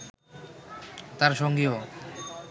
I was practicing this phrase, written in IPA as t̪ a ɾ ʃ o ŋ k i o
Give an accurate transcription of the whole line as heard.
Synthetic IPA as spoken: t̪ a ɾ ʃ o ŋ ɡ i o